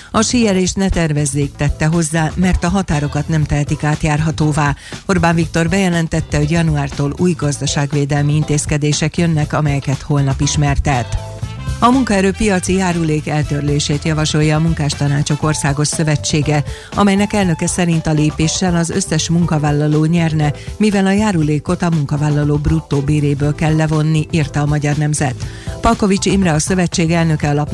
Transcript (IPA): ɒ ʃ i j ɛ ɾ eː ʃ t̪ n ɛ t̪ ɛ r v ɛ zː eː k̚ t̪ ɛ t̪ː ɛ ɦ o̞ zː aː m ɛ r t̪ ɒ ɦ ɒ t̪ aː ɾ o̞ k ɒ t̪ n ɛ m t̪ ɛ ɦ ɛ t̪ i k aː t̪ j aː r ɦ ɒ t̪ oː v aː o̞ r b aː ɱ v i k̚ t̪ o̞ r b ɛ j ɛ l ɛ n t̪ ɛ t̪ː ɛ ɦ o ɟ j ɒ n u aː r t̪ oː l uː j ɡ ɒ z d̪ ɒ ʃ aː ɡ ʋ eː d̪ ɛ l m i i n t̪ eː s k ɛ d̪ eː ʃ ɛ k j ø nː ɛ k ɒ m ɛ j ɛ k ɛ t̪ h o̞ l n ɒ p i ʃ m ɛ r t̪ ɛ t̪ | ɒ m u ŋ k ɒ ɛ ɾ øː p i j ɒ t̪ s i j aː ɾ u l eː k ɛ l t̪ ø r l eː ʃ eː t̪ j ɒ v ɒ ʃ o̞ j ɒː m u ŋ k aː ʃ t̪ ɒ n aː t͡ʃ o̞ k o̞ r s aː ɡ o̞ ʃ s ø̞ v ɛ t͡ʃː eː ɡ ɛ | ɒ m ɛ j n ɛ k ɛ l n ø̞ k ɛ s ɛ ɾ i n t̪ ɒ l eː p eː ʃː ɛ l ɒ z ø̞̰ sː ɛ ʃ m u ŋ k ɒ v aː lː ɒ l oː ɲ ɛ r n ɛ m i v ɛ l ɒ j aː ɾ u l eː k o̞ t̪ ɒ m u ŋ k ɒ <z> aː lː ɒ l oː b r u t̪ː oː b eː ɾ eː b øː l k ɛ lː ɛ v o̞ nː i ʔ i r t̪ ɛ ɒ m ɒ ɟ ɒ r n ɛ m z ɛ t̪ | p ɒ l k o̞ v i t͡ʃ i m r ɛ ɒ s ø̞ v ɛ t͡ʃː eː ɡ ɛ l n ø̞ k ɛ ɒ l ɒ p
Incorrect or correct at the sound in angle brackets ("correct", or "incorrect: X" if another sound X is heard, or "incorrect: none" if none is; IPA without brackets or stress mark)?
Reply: incorrect: v